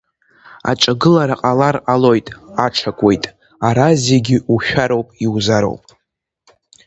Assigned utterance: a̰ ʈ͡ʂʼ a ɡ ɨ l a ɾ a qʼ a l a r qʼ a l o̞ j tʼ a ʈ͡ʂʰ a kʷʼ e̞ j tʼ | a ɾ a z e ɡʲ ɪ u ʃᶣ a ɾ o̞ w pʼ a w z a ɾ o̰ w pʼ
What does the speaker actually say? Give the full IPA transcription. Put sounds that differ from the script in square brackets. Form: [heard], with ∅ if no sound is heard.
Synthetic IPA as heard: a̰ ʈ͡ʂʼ a ɡ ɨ l a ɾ a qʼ a l a r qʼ a l o̞ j tʼ a ʈ͡ʂʰ a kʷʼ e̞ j tʼ | a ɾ a z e ɡʲ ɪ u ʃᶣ a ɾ o̞ w pʼ [i] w z a ɾ o̰ w pʼ

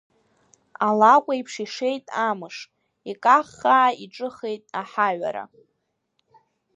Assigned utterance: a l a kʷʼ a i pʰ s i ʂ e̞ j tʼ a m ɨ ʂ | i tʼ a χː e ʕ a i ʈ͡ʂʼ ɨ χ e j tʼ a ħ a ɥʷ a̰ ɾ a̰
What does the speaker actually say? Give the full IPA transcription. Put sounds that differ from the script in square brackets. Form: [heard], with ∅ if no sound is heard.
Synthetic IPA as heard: a l a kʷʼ a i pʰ [ʂ] i ʂ e̞ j tʼ a m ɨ ʂ | i [kʼ] a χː [a] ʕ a i ʈ͡ʂʼ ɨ χ e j tʼ a ħ a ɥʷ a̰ ɾ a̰

